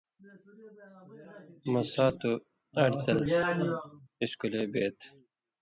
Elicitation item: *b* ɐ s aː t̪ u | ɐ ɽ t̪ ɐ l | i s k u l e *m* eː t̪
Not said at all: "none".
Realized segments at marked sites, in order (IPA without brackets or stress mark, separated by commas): m, b